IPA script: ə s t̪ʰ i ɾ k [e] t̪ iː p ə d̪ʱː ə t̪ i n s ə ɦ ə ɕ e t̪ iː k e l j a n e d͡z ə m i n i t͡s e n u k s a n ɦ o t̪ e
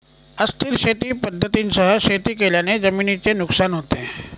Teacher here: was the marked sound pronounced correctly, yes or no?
yes